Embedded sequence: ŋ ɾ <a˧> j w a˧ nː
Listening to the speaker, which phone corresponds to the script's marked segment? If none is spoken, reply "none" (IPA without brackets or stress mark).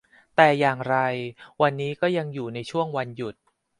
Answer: a˧